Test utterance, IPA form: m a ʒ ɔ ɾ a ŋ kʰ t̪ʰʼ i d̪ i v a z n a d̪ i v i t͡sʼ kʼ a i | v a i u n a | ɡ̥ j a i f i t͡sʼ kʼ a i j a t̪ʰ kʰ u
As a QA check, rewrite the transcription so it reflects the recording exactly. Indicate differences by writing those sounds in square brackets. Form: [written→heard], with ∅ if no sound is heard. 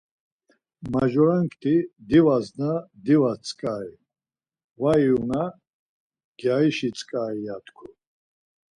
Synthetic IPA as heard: m a ʒ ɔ ɾ a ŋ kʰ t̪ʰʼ i d̪ i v a z n a d̪ i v [i→a] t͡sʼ kʼ a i | v a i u n a | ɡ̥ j a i [f→ʃ] i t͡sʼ kʼ a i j a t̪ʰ kʰ u

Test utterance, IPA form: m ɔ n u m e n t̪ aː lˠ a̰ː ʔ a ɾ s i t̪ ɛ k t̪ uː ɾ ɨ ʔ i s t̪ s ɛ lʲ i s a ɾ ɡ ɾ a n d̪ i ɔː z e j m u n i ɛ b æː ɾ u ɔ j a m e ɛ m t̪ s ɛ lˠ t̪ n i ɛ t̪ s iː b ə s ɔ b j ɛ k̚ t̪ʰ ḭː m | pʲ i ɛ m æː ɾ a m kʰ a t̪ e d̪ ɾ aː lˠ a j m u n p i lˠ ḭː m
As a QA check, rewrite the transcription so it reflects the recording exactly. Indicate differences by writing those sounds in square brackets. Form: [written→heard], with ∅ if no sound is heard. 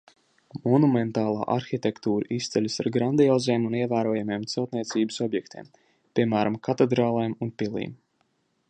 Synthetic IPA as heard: m ɔ n u m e n t̪ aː lˠ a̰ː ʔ a ɾ [s→x] i t̪ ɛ k t̪ uː ɾ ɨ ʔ i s t̪ s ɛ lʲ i s a ɾ ɡ ɾ a n d̪ i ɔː z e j m u n i ɛ [b→v] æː ɾ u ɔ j a m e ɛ m t̪ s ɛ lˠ t̪ n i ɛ t̪ s iː b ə s ɔ b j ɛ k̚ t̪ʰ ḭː m | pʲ i ɛ m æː ɾ a m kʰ a t̪ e d̪ ɾ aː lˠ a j m u n p i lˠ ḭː m

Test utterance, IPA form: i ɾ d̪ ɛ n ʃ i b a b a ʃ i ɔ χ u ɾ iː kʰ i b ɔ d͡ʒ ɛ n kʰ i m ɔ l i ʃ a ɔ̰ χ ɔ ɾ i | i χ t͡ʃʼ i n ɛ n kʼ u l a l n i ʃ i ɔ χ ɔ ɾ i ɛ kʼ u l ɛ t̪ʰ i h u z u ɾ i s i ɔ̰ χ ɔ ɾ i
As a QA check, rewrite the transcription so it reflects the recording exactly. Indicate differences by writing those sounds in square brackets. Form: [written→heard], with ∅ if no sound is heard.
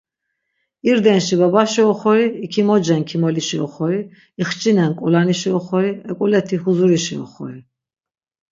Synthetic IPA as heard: i ɾ d̪ ɛ n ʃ i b a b a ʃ i ɔ χ [u→ɔ] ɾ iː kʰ i [b→m] ɔ d͡ʒ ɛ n kʰ i m ɔ l i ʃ [a→i] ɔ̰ χ ɔ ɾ i | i χ t͡ʃʼ i n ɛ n kʼ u l a [l→∅] n i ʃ i ɔ χ ɔ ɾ i ɛ kʼ u l ɛ t̪ʰ i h u z u ɾ i [s→ʃ] i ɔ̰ χ ɔ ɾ i

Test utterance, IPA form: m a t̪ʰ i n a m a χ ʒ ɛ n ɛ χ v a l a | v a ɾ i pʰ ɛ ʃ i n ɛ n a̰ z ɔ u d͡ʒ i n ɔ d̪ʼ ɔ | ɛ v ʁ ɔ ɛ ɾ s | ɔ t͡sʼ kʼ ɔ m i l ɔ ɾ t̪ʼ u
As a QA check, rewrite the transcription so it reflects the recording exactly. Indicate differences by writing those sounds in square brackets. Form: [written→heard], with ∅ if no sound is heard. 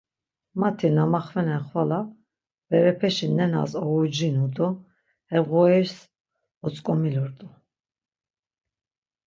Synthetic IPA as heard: m a t̪ʰ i n a m a χ [ʒ→v] ɛ n ɛ χ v a l a | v [a→ɛ] ɾ [i→ɛ] pʰ ɛ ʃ i n ɛ n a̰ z ɔ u d͡ʒ i n [ɔ→u] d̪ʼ ɔ | ɛ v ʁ ɔ ɛ ɾ s | ɔ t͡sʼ kʼ ɔ m i l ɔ ɾ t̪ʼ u

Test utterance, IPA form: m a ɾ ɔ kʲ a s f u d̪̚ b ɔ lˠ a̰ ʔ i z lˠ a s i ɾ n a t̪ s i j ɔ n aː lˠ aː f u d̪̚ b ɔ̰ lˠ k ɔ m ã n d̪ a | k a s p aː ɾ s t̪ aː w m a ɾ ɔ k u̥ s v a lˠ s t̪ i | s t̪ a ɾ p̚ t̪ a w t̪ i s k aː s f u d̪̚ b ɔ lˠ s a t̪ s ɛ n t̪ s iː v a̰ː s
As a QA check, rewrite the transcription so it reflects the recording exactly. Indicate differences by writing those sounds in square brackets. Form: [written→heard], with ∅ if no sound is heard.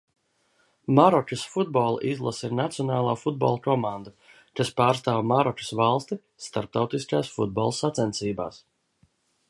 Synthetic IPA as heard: m a ɾ ɔ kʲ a s f u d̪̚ b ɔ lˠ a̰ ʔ i z lˠ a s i ɾ n a t̪ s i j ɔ n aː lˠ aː f u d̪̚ b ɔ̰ lˠ k ɔ m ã n d̪ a | k a s p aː ɾ s t̪ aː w m a ɾ ɔ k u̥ s v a lˠ s t̪ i | s t̪ a ɾ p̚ t̪ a w t̪ i s k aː s f u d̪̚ b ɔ lˠ s a t̪ s ɛ n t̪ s iː [v→b] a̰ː s

